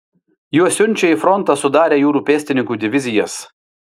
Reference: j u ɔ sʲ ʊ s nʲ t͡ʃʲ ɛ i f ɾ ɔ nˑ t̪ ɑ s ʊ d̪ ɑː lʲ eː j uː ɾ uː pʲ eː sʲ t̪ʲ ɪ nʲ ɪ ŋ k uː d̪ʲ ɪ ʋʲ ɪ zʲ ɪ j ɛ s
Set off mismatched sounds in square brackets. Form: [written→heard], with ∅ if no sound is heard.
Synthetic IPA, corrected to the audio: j u ɔ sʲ ʊ [s→∅] nʲ t͡ʃʲ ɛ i f ɾ ɔ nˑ t̪ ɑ s ʊ d̪ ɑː [lʲ→ɾʲ] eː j uː ɾ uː pʲ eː sʲ t̪ʲ ɪ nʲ ɪ ŋ k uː d̪ʲ ɪ ʋʲ ɪ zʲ ɪ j ɛ s